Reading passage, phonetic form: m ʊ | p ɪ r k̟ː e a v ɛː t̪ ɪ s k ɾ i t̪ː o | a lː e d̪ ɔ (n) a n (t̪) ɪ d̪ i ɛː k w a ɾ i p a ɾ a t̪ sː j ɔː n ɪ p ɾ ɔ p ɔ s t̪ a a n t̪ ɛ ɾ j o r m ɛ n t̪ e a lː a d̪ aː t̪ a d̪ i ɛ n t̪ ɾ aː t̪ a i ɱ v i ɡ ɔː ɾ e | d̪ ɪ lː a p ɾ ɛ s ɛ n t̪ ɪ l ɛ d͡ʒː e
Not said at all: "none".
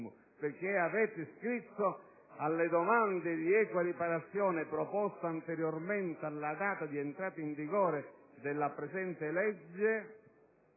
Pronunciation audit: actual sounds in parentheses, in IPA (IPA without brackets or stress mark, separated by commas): m, d̪